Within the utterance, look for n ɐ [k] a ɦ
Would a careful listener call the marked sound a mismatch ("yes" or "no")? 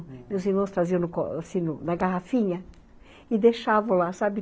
yes